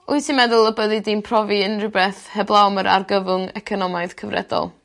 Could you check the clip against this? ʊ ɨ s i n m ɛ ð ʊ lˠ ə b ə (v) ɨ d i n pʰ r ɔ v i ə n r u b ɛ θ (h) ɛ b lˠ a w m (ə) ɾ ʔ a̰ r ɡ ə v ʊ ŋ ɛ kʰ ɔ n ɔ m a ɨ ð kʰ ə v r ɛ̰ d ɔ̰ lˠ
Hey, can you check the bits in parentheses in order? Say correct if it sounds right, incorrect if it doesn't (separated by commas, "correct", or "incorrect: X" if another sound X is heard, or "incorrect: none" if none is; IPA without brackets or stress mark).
incorrect: ð, correct, correct